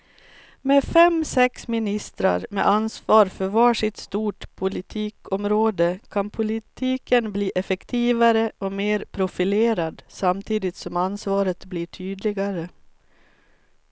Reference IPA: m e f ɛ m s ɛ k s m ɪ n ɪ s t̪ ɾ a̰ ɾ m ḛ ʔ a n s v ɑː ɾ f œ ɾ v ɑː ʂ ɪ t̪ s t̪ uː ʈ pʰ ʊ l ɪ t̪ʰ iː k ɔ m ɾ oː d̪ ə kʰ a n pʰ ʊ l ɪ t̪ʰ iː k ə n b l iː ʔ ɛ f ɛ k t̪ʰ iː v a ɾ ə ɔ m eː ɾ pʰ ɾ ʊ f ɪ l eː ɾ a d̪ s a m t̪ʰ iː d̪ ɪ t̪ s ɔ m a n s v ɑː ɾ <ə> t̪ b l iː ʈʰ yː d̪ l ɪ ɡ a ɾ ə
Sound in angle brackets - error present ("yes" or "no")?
no